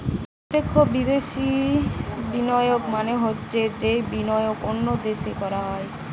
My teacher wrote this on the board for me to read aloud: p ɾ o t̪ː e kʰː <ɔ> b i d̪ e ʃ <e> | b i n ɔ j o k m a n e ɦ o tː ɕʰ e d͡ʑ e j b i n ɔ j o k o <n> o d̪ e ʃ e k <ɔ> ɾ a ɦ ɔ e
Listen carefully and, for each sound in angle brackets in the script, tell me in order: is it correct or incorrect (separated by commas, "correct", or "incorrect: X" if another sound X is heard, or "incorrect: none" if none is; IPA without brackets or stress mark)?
incorrect: o, incorrect: i, incorrect: nː, correct